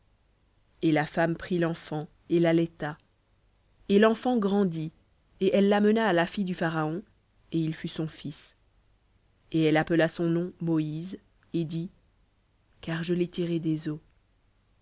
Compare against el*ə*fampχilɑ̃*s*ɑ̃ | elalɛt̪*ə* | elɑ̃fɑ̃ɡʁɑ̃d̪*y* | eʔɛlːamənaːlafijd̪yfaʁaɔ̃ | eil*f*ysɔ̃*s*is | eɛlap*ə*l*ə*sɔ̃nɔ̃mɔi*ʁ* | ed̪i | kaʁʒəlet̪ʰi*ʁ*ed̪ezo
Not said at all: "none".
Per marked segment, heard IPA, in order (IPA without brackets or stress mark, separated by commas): a, f, a, i, f, f, ə, a, z, ʁ